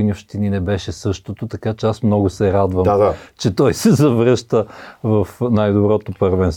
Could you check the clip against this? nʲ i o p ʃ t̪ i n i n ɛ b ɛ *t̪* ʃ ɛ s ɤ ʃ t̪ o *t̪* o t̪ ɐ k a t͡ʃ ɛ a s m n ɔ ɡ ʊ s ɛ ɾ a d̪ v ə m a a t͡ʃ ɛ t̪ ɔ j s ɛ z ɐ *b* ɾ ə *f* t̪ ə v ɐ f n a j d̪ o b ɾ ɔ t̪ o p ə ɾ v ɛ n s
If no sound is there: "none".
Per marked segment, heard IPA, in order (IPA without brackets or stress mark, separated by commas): none, t̪, v, ʃ